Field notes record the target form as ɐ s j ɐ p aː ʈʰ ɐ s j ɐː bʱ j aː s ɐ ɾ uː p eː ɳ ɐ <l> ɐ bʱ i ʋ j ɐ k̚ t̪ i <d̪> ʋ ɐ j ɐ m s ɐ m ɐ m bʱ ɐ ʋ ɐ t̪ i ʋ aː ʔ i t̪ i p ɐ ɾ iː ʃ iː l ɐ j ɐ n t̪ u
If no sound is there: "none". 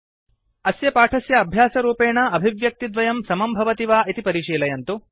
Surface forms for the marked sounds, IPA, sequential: none, d̪

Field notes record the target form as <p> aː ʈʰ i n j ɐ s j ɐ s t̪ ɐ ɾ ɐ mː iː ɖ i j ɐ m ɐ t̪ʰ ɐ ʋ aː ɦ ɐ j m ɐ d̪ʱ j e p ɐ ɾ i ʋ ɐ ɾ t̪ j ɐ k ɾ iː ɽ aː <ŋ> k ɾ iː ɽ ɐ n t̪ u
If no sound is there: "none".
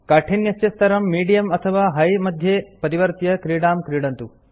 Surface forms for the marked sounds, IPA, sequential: k, m

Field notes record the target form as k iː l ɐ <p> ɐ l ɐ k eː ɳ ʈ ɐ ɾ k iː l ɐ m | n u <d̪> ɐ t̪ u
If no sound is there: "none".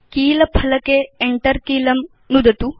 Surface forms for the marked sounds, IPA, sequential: pʰ, d̪

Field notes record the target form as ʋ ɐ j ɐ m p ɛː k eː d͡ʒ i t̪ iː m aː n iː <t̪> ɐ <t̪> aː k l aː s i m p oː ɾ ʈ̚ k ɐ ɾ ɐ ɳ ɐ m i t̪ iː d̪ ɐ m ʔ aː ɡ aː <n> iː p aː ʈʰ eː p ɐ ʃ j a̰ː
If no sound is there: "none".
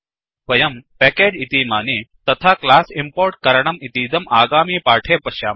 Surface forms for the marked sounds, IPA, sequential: t̪, t̪ʰ, m

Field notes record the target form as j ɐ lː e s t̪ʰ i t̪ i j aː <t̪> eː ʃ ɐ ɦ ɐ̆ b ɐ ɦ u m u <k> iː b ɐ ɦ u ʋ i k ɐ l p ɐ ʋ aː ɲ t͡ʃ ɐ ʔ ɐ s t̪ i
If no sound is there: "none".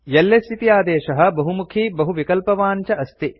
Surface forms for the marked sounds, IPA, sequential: d̪, kʰ

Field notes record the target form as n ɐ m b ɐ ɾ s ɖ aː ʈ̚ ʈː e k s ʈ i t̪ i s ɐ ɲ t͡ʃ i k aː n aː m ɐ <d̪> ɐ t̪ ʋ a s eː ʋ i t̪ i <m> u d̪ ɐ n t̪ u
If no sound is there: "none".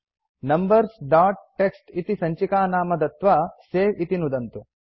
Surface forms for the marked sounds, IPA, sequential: d̪, n

